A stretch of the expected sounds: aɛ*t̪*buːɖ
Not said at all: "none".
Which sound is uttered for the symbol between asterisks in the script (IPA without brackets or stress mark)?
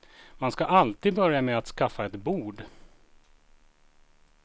t̪